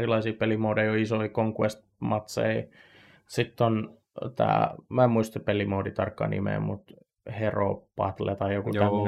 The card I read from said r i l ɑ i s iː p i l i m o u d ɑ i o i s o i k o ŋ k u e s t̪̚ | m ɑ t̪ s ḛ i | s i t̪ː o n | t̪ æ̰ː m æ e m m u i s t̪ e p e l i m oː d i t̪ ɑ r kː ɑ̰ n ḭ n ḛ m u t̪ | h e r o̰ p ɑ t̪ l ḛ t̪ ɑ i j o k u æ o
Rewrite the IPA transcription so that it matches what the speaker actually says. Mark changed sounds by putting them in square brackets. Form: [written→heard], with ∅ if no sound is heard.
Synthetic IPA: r i l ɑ i s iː p [i→e] l i m o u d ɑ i o i s o i k o ŋ k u e s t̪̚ | m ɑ t̪ s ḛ i | s i t̪ː o n | t̪ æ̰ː m æ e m m u i s t̪ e p e l i m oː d i t̪ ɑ r kː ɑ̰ n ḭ [n→m] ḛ m u t̪ | h e r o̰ p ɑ t̪ l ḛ t̪ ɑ i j o k u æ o